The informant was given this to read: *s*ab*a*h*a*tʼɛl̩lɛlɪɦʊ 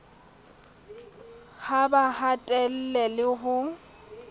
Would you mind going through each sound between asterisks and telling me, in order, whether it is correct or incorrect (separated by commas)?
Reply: incorrect, correct, correct